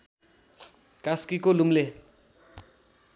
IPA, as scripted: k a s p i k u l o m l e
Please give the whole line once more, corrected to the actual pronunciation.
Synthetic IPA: k a s k i k o l u m l e